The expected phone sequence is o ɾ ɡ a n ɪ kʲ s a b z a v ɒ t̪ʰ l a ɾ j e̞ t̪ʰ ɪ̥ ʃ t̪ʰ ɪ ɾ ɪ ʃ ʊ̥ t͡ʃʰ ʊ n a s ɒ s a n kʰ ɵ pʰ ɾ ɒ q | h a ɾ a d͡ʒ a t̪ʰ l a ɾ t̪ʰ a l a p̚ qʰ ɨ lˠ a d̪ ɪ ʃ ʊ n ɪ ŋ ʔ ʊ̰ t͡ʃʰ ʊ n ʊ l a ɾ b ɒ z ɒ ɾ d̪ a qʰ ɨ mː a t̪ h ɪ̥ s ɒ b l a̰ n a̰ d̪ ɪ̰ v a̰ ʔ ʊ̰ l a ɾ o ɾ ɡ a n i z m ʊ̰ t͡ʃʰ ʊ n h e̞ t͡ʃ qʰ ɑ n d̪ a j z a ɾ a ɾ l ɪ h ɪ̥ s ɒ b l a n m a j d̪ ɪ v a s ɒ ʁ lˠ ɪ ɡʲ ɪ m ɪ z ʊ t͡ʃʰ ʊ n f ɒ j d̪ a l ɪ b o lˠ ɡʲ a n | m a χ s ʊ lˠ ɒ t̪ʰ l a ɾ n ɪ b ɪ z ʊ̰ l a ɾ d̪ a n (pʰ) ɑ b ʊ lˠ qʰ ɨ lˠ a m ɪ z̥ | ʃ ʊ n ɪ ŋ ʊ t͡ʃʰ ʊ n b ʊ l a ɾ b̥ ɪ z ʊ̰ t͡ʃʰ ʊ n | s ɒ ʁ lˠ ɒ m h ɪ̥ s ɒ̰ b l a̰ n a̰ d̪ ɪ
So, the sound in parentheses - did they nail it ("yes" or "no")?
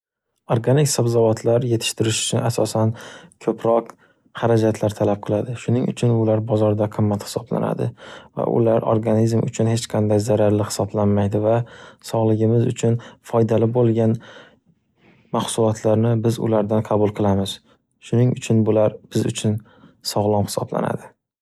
no